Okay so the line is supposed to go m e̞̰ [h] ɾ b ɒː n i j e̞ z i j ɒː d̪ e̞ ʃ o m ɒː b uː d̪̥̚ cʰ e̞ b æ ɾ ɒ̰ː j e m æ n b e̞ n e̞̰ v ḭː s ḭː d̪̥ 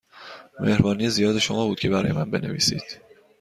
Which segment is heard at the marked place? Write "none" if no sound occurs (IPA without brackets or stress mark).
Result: h